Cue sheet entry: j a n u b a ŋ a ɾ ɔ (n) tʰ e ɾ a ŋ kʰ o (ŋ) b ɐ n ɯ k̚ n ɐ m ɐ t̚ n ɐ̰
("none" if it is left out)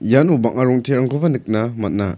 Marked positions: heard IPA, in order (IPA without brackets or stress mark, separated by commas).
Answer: ŋ, none